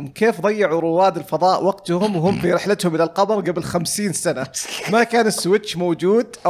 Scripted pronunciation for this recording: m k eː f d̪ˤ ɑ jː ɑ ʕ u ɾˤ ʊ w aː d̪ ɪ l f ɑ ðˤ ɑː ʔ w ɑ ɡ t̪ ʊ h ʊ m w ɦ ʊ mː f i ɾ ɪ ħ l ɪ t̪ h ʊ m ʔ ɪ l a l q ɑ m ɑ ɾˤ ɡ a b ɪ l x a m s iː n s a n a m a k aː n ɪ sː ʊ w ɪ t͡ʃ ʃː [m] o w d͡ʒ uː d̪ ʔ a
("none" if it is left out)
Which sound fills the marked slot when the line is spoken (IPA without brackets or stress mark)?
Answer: m